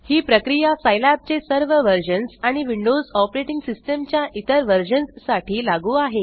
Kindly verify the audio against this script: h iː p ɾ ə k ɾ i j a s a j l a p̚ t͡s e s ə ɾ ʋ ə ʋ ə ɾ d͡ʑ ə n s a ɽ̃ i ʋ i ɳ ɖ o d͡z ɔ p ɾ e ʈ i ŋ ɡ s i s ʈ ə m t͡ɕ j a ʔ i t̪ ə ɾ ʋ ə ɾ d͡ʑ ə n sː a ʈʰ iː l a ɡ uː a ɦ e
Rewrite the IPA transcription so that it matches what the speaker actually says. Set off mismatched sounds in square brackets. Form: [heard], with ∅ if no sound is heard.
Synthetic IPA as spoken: h iː p ɾ ə k ɾ i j a s a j l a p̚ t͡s e s ə ɾ ʋ ə ʋ ə ɾ d͡ʑ ə n s a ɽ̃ i ʋ i ɳ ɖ o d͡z ɔ p ɾ e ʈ i ŋ ɡ s i s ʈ ə m t͡ɕ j a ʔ i t̪ ə ɾ ʋ ə ɾ d͡ʑ ə n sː a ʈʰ iː l a ɡ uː a ɦ e